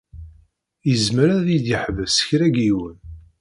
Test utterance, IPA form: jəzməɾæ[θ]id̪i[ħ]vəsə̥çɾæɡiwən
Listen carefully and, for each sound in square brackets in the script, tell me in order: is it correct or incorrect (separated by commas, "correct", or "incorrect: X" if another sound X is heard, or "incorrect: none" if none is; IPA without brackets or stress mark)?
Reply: incorrect: ð, correct